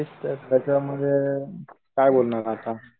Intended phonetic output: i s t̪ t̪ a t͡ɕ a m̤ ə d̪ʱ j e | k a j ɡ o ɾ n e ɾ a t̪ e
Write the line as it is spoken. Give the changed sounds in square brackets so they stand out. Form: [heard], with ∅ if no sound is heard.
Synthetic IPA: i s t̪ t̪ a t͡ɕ a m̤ ə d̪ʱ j e | k a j [b] o [l] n [a] ɾ a t̪ [a]